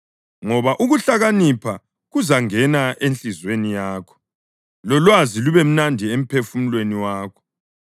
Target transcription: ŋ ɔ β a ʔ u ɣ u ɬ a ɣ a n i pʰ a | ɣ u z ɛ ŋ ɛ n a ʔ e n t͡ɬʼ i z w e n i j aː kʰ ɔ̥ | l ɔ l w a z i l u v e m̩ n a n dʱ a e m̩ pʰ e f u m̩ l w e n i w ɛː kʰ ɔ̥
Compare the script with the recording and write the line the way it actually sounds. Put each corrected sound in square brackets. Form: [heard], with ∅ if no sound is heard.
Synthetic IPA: ŋ ɔ β a ʔ u ɣ u ɬ a ɣ a n i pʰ a | ɣ u z [a] ŋ ɛ n a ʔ e n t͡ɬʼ i z w e n i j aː kʰ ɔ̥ | l ɔ l w a z i l u [β] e m̩ n a n dʱ [i] e m̩ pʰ e f u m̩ l w e n i w [aː] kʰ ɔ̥